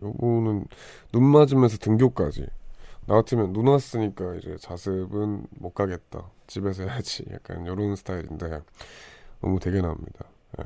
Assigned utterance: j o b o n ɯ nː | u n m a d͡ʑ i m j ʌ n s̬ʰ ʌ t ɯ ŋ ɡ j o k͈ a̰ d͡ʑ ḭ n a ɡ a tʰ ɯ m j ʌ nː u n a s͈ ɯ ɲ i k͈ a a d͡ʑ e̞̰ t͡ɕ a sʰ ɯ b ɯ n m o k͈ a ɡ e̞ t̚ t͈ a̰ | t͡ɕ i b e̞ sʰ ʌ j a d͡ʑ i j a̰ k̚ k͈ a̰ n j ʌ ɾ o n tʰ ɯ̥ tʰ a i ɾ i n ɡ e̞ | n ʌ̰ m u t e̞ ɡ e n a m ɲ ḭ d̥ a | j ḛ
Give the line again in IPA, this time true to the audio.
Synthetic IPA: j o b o n ɯ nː | u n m a d͡ʑ i m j ʌ n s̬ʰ ʌ t ɯ ŋ ɡ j o k͈ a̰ d͡ʑ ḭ n a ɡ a tʰ ɯ m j ʌ nː u n a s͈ ɯ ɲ i k͈ a i d͡ʑ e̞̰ t͡ɕ a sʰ ɯ b ɯ n m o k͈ a ɡ e̞ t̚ t͈ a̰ | t͡ɕ i b e̞ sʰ ʌ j a d͡ʑ i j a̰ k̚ k͈ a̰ n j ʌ ɾ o n sʰ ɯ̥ tʰ a i ɾ i n d e̞ | n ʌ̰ m u t e̞ ɡ e n a m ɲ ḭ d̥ a | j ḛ